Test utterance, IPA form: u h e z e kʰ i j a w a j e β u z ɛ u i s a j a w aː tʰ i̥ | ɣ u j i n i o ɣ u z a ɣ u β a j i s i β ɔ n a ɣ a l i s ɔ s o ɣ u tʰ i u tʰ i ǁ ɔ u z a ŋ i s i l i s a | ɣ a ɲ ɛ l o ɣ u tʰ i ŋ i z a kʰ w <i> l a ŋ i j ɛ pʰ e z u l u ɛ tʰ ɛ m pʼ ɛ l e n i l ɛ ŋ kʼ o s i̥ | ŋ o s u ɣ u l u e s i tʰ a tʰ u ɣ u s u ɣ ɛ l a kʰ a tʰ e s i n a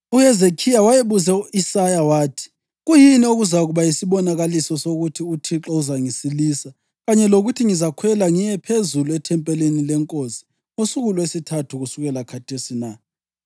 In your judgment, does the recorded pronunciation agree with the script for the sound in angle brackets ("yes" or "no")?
no